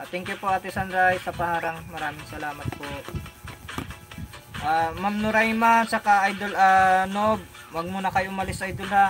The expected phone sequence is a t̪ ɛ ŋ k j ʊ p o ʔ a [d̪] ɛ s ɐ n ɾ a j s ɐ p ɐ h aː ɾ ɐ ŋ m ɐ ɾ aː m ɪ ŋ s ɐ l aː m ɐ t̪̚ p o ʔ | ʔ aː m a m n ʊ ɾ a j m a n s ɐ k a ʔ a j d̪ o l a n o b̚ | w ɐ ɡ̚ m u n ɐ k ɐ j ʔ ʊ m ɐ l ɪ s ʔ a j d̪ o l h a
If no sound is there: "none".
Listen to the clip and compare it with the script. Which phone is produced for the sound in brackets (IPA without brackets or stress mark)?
t̪